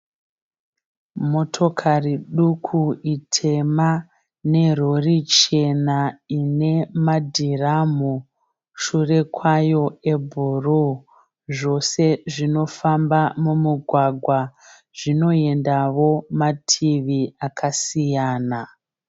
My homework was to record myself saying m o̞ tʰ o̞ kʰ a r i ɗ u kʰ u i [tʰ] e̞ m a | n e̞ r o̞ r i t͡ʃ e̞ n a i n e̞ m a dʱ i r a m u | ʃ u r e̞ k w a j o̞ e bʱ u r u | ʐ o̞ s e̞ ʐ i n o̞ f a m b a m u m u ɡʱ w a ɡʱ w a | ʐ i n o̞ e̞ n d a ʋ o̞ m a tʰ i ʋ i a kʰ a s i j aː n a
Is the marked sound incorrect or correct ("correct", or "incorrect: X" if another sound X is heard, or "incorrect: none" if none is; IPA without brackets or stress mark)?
correct